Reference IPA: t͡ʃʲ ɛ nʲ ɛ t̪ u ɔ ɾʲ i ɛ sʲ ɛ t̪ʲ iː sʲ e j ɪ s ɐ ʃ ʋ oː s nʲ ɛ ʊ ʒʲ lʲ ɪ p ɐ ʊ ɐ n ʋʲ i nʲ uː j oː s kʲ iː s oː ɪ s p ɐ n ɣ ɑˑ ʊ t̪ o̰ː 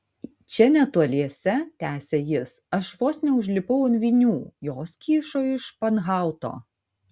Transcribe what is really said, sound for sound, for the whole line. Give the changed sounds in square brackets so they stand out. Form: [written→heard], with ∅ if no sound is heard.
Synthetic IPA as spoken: t͡ʃʲ ɛ nʲ ɛ t̪ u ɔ [ɾʲ→lʲ] i ɛ sʲ ɛ t̪ʲ [iː→æː] sʲ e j ɪ s ɐ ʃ ʋ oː s nʲ ɛ ʊ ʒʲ lʲ ɪ p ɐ ʊ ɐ n ʋʲ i nʲ uː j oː s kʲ iː [s→ʃ] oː ɪ [s→ʃ] p ɐ n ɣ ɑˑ ʊ t̪ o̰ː